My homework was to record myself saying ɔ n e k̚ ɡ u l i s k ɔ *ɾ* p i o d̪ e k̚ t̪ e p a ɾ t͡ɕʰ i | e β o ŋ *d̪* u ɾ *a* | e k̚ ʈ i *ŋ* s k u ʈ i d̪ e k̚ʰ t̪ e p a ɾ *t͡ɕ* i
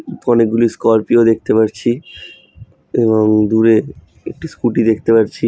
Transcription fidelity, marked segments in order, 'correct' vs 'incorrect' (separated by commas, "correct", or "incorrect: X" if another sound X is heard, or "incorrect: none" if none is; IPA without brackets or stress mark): correct, correct, incorrect: e, incorrect: none, incorrect: t͡ɕʰ